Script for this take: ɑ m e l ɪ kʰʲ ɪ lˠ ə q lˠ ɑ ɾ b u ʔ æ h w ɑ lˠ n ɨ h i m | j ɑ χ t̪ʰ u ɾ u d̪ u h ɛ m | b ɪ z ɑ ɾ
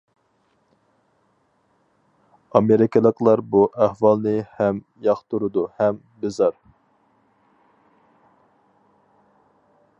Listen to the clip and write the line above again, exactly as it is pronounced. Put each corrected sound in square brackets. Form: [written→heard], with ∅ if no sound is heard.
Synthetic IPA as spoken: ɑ m e [l→ɾ] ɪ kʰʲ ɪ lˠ ə q lˠ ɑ ɾ b u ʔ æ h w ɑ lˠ n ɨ h [i→ɛ] m | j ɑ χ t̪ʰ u ɾ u d̪ u h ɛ m | b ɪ z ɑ ɾ

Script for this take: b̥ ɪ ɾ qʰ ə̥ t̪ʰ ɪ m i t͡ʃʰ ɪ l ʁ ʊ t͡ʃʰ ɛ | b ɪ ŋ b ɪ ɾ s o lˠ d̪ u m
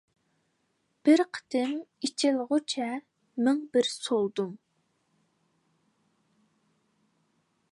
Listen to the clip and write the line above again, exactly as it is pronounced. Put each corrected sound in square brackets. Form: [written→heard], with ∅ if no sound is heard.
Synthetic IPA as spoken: b̥ ɪ ɾ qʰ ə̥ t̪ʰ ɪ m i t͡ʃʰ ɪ l ʁ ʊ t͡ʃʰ ɛ | [b→m] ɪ ŋ b ɪ ɾ s o lˠ d̪ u m

